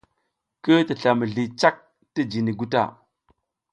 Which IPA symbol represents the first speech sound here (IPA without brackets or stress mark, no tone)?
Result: k